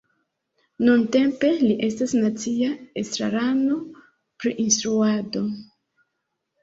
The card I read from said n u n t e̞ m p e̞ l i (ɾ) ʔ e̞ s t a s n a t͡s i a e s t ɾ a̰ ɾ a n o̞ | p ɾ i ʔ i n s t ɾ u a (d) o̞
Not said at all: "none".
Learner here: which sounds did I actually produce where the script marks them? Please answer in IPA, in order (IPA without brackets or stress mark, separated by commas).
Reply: none, d